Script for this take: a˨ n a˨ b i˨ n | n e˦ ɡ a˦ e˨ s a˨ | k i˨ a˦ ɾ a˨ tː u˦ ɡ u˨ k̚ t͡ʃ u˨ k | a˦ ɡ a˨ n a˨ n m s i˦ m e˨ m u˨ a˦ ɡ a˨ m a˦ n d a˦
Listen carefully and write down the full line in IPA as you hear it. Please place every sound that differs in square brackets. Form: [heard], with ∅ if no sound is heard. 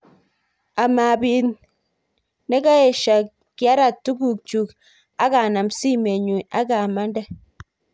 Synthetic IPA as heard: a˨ [m] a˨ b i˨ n | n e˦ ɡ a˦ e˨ [ʃ] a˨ | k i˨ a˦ ɾ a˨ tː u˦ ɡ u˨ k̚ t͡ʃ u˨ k | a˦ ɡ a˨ n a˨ [∅] m s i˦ m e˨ [ɲ] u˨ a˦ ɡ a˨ m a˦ n d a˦

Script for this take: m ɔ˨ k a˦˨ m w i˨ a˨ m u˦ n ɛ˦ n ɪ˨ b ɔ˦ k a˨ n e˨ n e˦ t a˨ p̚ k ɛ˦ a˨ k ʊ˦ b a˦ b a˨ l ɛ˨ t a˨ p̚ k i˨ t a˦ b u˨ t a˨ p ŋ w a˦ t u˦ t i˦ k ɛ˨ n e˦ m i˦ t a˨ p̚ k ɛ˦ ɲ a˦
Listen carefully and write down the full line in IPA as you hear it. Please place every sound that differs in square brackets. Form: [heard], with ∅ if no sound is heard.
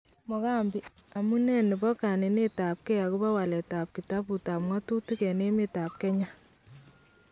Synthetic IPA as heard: m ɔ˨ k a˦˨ m [b] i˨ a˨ m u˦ n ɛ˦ n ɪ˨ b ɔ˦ k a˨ n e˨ n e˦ t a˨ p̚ k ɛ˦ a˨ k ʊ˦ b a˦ [w] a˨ l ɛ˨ t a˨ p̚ k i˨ t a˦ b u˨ t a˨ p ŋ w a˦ t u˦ t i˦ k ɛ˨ n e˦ m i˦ t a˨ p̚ k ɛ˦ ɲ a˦

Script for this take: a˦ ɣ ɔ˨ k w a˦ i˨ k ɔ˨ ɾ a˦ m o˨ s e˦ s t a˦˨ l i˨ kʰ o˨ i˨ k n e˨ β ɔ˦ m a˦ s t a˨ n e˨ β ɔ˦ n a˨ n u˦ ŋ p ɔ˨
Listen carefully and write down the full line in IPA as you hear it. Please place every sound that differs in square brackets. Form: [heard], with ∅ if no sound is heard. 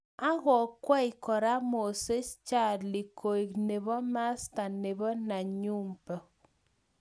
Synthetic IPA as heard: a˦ ɣ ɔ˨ k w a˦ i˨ k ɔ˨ ɾ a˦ m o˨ s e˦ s [t͡ʃ] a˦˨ l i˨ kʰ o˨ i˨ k n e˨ β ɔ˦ m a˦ s t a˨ n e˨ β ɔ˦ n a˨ [ɲ] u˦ [m] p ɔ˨

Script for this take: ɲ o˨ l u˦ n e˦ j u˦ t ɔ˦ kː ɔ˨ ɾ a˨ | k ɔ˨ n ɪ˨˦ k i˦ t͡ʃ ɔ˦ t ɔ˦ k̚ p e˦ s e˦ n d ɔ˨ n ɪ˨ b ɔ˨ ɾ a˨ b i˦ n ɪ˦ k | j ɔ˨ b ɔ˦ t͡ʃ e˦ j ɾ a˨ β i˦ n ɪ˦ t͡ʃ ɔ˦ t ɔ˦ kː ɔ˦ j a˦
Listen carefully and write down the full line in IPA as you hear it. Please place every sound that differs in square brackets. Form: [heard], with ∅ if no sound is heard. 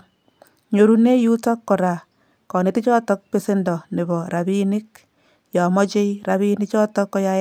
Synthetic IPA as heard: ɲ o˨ [ɾ] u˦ n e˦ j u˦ t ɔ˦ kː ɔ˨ ɾ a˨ | k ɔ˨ n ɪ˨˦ [t] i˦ t͡ʃ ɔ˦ t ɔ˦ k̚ p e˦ s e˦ n d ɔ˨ n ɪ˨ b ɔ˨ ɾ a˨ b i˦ n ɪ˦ k | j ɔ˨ [m] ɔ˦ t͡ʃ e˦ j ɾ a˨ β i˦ n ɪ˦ t͡ʃ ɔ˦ t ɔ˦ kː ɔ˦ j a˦

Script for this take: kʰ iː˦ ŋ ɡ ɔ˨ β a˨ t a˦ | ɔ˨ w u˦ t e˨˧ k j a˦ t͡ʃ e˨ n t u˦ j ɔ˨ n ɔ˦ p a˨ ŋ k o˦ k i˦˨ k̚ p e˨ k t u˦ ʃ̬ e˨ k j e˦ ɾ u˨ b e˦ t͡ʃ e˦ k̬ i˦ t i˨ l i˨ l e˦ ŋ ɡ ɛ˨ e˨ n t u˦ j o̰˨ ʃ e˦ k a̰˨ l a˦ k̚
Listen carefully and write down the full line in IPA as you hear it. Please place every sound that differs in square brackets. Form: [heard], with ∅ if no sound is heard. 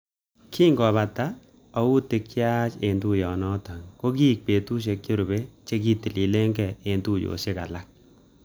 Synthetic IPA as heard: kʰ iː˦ ŋ ɡ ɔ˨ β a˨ t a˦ | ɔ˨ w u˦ t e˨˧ k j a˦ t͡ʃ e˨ n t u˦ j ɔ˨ n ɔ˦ [t] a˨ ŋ k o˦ k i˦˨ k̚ p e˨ [∅] t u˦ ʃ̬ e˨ k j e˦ ɾ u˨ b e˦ t͡ʃ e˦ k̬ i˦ t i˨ l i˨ l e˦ ŋ ɡ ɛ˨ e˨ n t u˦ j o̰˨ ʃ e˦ k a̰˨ l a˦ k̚

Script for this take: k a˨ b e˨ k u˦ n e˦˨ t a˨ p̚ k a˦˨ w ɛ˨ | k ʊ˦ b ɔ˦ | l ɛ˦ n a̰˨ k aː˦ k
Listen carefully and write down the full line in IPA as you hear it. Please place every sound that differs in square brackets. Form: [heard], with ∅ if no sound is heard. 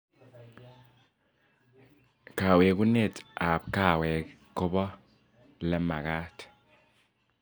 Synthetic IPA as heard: k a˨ [w] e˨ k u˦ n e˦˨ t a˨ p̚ k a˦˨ w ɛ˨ | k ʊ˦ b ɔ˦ | l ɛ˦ [m] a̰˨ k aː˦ [t]

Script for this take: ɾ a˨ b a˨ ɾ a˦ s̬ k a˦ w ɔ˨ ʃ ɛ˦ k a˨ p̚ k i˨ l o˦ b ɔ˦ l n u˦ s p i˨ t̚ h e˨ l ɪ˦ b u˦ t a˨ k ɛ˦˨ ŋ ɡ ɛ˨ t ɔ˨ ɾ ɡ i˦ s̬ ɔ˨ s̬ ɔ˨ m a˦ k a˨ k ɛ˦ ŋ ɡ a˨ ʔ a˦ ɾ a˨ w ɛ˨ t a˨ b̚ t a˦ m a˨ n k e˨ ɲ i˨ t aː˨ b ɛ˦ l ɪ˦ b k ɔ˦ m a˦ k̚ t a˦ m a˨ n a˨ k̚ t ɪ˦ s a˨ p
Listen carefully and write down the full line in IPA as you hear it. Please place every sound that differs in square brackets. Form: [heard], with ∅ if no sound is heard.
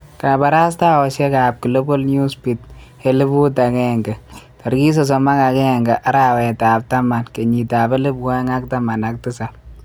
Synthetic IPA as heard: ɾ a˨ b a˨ ɾ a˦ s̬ [t] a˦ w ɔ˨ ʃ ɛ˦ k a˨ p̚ k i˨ l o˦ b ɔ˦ l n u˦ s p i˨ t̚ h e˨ l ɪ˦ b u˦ t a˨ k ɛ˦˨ ŋ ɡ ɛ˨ t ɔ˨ ɾ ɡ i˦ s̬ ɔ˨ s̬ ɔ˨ m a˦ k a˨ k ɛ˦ ŋ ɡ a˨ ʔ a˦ ɾ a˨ w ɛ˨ t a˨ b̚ t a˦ m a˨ n k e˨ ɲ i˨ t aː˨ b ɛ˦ l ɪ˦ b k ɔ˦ [ŋ] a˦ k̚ t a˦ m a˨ n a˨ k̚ t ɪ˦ s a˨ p

